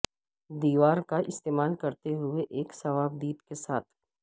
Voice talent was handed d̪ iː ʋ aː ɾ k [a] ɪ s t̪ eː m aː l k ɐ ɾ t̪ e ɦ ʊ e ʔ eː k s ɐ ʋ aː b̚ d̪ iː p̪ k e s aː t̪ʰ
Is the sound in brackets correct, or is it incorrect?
correct